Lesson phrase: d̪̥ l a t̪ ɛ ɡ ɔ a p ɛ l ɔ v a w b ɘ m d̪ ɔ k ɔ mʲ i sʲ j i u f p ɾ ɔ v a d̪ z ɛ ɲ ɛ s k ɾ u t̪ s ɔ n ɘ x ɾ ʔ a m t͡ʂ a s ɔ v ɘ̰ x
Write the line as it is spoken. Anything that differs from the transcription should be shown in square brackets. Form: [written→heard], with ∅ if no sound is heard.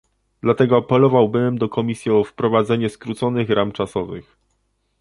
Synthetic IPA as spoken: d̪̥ l a t̪ ɛ ɡ ɔ a p ɛ l ɔ v a w b ɘ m d̪ ɔ k ɔ mʲ i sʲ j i [u→ɔ] f p ɾ ɔ v a d̪ z ɛ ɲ ɛ s k ɾ u t̪ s ɔ n ɘ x ɾ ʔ a m t͡ʂ a s ɔ v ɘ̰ x